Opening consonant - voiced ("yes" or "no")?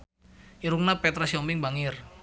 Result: yes